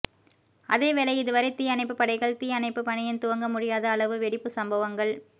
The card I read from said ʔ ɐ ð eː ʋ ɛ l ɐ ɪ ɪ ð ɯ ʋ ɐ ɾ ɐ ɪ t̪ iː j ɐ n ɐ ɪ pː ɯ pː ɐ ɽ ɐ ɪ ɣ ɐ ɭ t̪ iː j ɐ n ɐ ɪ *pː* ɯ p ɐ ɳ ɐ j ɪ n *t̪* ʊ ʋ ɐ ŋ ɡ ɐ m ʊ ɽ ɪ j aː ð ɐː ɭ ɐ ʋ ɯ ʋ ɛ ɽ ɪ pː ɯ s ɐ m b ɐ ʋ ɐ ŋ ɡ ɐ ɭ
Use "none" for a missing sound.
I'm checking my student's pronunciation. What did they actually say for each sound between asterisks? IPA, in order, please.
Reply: pː, t̪

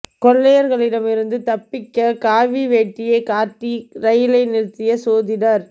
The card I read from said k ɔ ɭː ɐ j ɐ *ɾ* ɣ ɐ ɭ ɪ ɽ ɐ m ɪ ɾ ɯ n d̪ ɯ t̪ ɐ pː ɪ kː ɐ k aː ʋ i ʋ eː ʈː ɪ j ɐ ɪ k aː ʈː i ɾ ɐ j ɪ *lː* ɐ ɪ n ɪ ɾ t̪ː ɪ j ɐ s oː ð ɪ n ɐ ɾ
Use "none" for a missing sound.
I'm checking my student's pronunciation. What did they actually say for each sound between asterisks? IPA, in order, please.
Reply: ɾ, l

